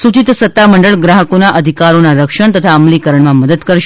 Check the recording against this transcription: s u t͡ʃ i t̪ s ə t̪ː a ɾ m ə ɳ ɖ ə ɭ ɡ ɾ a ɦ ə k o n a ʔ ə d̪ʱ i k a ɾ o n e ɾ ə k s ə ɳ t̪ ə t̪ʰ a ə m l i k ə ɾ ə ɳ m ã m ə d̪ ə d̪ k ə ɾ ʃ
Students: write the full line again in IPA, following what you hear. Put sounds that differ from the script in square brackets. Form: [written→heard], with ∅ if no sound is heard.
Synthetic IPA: s u t͡ʃ i t̪ s ə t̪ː a [ɾ→∅] m ə ɳ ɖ ə ɭ ɡ ɾ a ɦ ə k o n a ʔ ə d̪ʱ i k a ɾ o n [e→a] ɾ ə k [s→ʃ] ə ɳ t̪ ə t̪ʰ a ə m l i k ə ɾ ə ɳ m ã m ə d̪ ə d̪ k ə ɾ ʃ